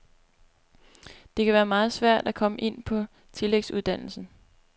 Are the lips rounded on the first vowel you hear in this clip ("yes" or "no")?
no